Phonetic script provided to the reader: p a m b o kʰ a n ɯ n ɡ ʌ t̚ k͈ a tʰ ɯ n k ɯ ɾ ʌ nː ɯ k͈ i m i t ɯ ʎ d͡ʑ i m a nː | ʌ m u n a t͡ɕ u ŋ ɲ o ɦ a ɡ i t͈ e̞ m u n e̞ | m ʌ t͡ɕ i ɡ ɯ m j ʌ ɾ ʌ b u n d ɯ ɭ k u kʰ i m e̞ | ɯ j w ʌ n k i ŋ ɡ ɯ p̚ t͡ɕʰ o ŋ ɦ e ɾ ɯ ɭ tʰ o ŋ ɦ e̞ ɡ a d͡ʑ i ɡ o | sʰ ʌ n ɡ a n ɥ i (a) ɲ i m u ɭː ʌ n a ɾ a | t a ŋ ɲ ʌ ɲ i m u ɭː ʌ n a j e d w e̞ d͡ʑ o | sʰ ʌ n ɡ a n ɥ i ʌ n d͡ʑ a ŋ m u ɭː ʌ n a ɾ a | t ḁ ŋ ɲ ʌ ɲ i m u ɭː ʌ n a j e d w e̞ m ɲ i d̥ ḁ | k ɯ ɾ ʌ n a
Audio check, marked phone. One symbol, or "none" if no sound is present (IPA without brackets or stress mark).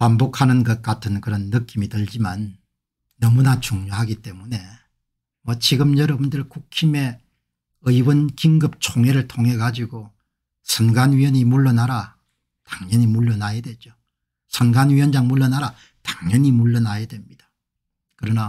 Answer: ʌ